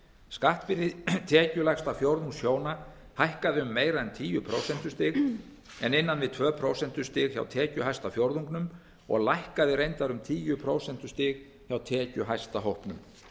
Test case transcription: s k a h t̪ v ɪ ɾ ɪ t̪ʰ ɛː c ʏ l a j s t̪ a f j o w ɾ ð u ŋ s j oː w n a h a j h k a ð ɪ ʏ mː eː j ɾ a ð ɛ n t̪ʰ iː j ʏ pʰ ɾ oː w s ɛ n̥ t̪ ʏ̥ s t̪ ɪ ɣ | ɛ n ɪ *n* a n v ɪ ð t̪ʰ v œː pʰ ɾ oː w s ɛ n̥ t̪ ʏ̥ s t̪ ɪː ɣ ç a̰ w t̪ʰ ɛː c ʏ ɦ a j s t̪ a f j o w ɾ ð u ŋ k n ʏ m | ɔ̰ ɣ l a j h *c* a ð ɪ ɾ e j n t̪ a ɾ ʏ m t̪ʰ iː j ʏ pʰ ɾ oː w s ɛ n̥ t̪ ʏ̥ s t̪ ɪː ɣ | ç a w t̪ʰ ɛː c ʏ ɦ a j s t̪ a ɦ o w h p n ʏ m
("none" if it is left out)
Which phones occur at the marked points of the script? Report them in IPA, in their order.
nː, k

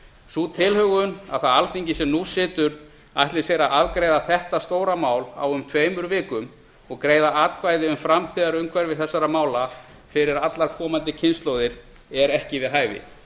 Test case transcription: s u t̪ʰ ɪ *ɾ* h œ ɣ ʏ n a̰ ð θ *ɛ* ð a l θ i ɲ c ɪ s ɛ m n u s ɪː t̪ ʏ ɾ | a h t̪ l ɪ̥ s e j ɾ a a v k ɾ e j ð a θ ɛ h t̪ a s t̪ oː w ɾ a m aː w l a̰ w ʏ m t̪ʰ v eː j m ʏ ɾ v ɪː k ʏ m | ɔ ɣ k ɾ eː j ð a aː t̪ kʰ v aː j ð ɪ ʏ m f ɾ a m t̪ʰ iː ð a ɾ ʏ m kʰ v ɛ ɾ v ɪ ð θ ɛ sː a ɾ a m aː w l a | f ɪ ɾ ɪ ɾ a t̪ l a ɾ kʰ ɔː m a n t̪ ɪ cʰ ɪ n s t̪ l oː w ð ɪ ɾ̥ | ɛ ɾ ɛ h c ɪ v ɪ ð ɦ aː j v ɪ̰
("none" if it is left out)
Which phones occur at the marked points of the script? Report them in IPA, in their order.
l, a

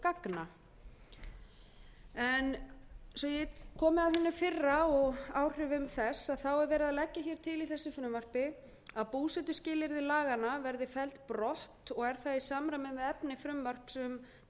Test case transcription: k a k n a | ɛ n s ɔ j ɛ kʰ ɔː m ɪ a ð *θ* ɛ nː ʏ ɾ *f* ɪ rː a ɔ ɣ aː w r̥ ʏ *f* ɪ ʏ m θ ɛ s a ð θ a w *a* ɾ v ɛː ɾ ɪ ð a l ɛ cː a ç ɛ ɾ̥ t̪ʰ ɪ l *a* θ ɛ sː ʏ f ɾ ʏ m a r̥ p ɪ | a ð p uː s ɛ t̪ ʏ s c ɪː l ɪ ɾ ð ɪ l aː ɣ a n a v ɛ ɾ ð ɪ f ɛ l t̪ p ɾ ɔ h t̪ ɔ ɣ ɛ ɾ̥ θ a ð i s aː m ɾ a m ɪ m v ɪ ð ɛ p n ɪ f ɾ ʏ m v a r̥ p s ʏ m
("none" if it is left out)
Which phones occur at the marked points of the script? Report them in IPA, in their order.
θ, f, v, ɛ, i

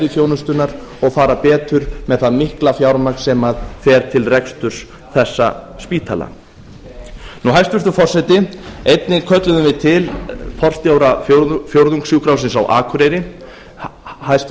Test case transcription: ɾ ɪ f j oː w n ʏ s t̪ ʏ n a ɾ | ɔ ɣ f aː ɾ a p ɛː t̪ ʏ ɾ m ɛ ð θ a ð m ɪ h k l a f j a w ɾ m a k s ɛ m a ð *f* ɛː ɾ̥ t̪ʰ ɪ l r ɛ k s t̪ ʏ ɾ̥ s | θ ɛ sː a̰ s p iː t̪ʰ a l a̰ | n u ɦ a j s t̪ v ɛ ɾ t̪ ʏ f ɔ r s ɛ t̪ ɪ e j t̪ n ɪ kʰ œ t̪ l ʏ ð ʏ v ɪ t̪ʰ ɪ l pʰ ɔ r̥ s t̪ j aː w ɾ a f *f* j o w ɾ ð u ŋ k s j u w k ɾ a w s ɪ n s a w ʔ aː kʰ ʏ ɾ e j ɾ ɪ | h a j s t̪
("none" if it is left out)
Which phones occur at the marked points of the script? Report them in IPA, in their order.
f, f

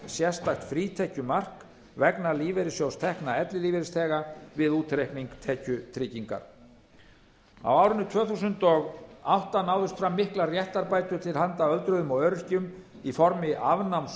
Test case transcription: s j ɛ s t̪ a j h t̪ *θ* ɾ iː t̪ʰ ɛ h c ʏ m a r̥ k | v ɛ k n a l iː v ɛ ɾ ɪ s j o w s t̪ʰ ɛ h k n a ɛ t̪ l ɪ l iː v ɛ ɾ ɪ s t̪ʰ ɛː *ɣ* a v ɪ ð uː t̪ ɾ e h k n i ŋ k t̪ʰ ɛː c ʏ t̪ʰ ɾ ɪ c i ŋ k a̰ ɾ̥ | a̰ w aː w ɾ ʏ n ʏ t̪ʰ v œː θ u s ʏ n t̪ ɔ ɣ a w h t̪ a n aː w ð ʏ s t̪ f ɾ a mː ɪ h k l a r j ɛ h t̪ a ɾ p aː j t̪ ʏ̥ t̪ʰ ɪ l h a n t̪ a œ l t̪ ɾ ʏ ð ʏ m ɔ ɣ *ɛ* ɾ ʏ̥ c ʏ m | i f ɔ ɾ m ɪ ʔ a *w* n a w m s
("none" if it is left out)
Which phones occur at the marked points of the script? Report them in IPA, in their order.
f, ɣ, œ, v

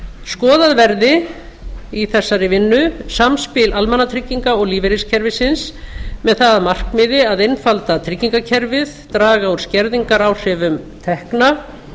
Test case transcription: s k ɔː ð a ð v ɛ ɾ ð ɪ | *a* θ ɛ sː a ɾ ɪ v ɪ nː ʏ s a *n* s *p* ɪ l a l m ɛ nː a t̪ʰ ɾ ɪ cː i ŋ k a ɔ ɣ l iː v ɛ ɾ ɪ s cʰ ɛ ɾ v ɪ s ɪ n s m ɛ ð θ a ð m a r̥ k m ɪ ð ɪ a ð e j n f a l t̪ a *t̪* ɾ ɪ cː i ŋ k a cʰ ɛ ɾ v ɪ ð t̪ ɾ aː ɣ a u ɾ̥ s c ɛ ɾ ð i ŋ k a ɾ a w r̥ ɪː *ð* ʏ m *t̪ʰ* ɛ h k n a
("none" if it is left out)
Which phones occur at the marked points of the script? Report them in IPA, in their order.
i, m, p, t̪ʰ, v, t̪ʰ

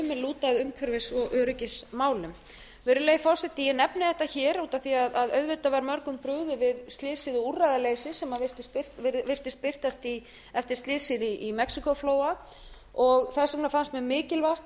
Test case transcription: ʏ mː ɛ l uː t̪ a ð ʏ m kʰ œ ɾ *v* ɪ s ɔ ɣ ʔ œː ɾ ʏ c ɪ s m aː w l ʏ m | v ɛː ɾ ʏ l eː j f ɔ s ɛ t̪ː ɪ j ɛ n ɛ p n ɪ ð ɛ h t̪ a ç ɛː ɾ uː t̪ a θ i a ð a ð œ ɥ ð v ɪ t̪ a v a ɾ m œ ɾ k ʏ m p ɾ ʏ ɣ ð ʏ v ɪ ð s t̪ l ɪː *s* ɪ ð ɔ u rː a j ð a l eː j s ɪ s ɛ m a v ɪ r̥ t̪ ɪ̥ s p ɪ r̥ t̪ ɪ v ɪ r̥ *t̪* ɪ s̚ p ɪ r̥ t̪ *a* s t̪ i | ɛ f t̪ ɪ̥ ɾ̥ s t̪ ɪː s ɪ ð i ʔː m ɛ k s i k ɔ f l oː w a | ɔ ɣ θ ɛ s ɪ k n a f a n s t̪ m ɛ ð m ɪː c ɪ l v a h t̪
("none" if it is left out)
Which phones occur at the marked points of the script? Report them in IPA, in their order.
v, s, t̪, a

